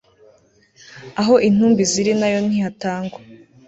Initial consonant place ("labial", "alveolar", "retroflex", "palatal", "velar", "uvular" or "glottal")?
glottal